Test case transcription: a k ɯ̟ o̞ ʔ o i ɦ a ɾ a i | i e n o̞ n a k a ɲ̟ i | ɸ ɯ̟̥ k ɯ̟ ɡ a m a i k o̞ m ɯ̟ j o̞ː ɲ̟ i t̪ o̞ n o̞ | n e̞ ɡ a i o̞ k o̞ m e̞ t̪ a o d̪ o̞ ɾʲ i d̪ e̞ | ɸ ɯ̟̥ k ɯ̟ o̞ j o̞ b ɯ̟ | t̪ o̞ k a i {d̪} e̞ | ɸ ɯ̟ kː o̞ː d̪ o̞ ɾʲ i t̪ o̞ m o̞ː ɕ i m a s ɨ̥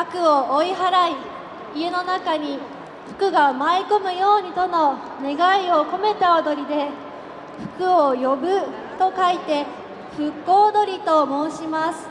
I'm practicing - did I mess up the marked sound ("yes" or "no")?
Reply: yes